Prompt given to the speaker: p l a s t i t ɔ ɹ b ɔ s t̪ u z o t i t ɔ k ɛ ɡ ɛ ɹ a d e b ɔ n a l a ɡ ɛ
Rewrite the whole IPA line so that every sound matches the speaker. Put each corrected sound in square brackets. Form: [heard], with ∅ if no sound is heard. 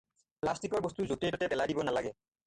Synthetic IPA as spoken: p l a s t i [k] ɔ ɹ b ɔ s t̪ u z o t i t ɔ [t] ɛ [b] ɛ [l] a d [i] b ɔ n a l a ɡ ɛ